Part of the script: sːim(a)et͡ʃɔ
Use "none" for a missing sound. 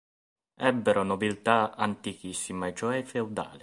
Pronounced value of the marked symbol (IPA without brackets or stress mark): a